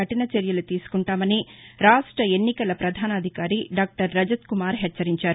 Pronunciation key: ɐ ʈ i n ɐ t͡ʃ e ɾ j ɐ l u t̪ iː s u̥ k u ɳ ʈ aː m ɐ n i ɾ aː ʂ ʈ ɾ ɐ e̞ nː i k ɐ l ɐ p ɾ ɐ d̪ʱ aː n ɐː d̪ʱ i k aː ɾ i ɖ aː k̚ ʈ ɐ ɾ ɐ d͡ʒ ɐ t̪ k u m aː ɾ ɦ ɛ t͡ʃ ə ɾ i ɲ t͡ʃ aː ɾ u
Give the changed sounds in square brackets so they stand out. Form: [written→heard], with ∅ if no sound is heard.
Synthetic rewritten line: ɐ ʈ i n ɐ t͡ʃ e ɾ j ɐ l u t̪ iː s u̥ k u ɳ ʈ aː m ɐ n i ɾ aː ʂ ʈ ɾ ɐ e̞ nː i k ɐ l ɐ p ɾ ɐ d̪ʱ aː n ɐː d̪ʱ i k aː ɾ i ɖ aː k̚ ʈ ɐ [ɾ→ɾː] ɐ d͡ʒ ɐ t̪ k u m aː ɾ ɦ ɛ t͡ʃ [ə→ɐ] ɾ i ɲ t͡ʃ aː ɾ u